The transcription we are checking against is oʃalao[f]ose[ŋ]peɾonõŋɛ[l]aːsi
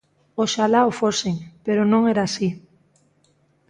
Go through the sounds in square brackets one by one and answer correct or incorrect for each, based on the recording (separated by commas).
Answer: correct, correct, incorrect